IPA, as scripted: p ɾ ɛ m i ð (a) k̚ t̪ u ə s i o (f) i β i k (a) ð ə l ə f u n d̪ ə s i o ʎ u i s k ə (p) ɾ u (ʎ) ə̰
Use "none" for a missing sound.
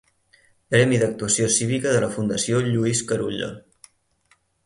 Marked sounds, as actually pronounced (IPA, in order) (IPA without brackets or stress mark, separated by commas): ə, s, ə, none, ʎ